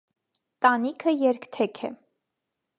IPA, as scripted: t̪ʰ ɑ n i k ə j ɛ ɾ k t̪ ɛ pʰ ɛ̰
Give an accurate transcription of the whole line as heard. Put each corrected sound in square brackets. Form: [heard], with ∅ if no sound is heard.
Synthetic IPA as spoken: [t̪] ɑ n i [kʰ] ə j ɛ ɾ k [t̪ʰ] ɛ [kʰ] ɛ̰